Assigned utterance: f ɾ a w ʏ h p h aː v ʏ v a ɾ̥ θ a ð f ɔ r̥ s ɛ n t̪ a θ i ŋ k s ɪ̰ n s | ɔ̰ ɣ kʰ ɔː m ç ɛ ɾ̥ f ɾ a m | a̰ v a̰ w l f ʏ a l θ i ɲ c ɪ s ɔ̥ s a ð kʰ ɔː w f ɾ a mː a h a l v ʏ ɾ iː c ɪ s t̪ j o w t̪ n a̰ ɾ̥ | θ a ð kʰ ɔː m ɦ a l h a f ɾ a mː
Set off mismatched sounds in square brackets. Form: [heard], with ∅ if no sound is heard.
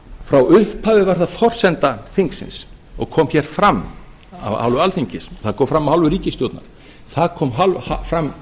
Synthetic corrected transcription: f ɾ a w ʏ h p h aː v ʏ v a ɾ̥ θ a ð f ɔ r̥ s ɛ n t̪ a θ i ŋ k s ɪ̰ n s | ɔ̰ ɣ kʰ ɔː m ç ɛ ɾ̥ f ɾ a m | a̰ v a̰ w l [v] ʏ a l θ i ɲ c ɪ s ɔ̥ [θ] a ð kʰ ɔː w f ɾ a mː a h a l v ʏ ɾ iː c ɪ s t̪ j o w t̪ n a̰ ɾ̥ | θ a ð kʰ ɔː m ɦ a l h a f ɾ a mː